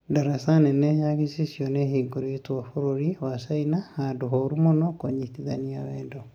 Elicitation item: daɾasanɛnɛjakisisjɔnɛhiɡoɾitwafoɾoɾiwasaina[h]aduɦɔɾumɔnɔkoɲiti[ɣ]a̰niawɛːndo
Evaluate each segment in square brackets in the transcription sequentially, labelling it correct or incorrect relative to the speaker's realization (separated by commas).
correct, incorrect